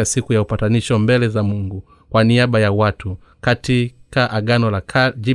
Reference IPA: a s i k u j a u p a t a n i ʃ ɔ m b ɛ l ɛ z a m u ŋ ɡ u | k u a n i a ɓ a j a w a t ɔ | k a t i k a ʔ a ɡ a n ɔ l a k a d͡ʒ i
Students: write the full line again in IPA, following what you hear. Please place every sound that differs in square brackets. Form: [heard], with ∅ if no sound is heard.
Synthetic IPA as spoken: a s i k u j a u p a t a n i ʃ ɔ m b ɛ l ɛ z a m u ŋ ɡ u | k [w] a n i a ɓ a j a w a t [u] | k a t i k a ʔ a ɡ a n ɔ l a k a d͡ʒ i